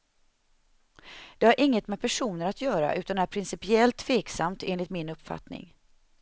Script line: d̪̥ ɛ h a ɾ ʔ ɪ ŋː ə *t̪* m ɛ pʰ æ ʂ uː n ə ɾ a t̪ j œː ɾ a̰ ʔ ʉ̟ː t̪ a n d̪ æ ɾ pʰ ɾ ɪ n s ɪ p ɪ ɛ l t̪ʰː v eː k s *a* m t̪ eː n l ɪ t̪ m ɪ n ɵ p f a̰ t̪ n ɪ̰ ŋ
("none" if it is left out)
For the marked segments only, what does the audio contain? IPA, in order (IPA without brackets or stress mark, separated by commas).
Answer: t̪, a